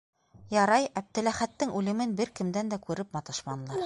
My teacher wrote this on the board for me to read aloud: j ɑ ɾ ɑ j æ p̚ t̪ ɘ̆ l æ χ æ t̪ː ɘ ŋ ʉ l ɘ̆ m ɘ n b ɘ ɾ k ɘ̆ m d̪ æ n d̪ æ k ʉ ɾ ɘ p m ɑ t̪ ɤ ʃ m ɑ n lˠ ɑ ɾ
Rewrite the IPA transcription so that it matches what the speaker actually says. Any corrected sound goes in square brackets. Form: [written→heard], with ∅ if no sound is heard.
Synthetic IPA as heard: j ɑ ɾ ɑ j æ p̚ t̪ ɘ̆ l æ χ æ t̪ː ɘ ŋ ʉ l ɘ̆ m ɘ n b ɘ ɾ k ɘ̆ m d̪ æ n d̪ æ k ʉ ɾ ɘ p m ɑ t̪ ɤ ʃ m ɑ n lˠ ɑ ɾ

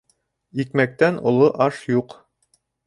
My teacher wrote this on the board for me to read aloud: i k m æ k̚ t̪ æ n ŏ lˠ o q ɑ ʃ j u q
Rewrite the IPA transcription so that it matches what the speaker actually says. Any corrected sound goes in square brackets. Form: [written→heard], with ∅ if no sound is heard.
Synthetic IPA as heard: i k m æ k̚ t̪ æ n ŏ lˠ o [q→ʔ] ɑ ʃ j u q

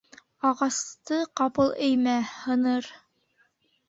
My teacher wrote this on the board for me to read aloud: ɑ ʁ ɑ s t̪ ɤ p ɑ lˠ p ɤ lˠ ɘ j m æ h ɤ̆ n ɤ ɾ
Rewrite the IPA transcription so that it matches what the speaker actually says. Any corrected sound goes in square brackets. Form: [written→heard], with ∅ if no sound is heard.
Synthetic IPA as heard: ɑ ʁ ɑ s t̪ ɤ [p→q] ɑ [lˠ→∅] p ɤ lˠ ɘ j m æ h ɤ̆ n ɤ ɾ

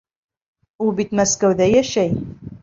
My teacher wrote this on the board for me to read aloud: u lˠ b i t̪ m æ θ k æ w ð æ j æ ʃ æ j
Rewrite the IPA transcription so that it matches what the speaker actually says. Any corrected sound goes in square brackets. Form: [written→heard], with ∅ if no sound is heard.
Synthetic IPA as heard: u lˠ b i t̪ m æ [θ→s] k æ w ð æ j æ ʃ æ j

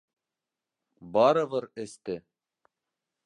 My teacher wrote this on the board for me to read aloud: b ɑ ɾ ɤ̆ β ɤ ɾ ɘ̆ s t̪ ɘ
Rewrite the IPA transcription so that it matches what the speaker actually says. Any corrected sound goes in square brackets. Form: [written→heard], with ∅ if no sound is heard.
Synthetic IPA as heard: b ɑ ɾ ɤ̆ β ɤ ɾ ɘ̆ s t̪ ɘ

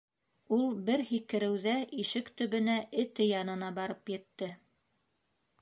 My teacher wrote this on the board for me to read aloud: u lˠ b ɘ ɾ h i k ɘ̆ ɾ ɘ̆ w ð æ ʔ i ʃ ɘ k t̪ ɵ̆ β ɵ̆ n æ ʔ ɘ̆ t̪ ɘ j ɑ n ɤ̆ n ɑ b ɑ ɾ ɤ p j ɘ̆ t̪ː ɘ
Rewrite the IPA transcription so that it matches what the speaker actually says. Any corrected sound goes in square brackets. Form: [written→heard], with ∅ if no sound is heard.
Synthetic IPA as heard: u lˠ b ɘ ɾ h i k ɘ̆ ɾ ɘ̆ w ð æ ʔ i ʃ ɘ k t̪ ɵ̆ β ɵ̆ n æ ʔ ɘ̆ t̪ ɘ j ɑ n ɤ̆ n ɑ b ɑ ɾ ɤ p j ɘ̆ t̪ː ɘ

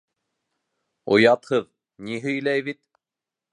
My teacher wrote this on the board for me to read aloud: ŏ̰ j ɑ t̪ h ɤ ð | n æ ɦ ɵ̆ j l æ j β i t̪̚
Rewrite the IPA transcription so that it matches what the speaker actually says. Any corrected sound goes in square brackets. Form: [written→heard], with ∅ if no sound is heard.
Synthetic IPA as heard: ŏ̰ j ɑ t̪ h ɤ ð | n [æ→i] ɦ ɵ̆ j l æ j β i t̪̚

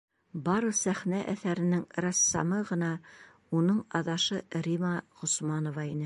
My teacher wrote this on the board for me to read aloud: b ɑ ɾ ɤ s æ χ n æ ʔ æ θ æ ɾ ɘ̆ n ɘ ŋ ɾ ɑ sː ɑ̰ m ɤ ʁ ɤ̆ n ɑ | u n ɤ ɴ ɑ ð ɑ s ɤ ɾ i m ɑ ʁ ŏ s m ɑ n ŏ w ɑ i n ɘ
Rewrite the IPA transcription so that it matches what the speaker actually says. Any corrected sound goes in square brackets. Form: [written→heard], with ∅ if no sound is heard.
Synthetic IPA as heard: b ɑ ɾ ɤ s æ χ n æ ʔ æ θ æ ɾ ɘ̆ n ɘ ŋ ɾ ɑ sː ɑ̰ m ɤ ʁ ɤ̆ n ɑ | u n ɤ ɴ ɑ ð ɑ [s→ʃ] ɤ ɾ i m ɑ ʁ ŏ s m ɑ n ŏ [w→v] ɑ i n ɘ

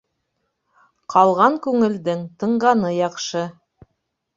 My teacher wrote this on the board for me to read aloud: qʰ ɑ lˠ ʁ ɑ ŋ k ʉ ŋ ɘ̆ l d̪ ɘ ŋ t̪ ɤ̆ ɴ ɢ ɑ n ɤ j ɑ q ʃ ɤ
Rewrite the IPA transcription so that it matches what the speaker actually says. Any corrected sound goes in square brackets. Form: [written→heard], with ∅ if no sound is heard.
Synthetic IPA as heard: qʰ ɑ lˠ ʁ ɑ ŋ k ʉ ŋ ɘ̆ l d̪ ɘ ŋ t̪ ɤ̆ ɴ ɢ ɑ n ɤ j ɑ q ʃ ɤ

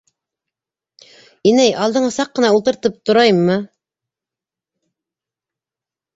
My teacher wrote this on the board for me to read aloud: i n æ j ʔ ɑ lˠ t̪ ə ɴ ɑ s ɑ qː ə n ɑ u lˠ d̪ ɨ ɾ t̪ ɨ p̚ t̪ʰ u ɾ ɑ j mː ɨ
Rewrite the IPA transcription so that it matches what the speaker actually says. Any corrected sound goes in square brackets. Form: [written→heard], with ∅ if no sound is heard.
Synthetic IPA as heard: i n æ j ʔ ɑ lˠ [t̪→d̪] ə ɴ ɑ s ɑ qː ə n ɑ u lˠ [d̪→t̪] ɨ ɾ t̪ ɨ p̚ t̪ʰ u ɾ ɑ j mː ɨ

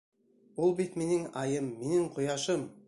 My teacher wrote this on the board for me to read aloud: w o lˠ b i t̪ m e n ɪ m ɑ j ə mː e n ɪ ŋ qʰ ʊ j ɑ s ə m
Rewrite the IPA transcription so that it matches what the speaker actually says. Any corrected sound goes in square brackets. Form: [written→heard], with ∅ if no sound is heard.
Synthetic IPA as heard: w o lˠ b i t̪ m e n ɪ [m→ŋ] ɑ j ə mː e n ɪ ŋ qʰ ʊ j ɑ [s→ʃ] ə m

